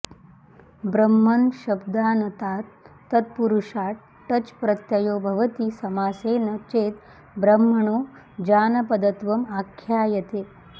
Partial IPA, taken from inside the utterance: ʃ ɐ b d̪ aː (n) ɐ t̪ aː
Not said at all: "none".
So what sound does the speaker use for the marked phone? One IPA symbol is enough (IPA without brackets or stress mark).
n